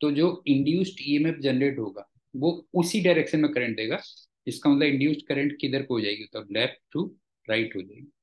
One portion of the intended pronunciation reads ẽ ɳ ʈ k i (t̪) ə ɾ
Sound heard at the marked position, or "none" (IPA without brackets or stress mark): d̪